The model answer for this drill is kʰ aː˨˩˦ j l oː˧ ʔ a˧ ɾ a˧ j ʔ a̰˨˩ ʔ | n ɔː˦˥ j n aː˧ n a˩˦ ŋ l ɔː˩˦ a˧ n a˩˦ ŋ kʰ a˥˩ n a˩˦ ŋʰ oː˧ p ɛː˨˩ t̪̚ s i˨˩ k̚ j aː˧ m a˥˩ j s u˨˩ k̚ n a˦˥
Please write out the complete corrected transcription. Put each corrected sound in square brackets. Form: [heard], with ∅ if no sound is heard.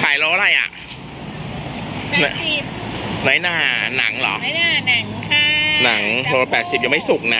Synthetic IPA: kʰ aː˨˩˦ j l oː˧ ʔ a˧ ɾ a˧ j ʔ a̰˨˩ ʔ | n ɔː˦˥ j n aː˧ n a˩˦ ŋ l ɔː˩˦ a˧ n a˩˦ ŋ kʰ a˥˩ n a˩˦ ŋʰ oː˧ p ɛː˨˩ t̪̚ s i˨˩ [p̚] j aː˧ m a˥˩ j s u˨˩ k̚ n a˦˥